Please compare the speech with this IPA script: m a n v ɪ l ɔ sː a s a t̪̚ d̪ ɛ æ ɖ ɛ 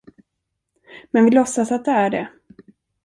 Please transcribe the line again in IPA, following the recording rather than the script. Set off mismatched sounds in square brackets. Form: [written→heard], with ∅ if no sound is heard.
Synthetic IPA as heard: m [a→ɛ] n v ɪ l ɔ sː a s a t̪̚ d̪ ɛ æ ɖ ɛ